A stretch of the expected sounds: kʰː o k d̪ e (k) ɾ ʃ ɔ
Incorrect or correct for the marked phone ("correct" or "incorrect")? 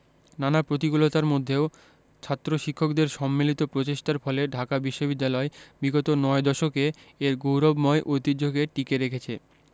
incorrect